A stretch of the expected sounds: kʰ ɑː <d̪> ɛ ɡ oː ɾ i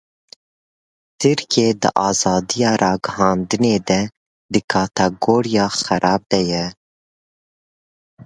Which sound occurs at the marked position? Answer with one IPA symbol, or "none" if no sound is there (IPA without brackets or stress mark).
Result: t̪